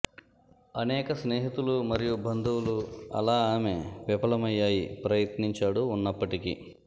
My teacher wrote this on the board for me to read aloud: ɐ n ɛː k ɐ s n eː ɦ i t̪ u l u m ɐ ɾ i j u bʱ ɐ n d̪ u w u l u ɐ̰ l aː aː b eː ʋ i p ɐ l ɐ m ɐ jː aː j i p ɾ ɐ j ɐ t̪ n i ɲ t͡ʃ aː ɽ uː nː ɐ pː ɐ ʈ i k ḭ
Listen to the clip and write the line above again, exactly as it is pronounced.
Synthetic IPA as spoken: ɐ n ɛː k ɐ s n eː ɦ i t̪ u l u m ɐ ɾ i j u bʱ ɐ n d̪ u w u l u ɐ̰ l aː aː m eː ʋ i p ɐ l ɐ m ɐ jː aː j i p ɾ ɐ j ɐ t̪ n i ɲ t͡ʃ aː ɽ uː nː ɐ pː ɐ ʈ i k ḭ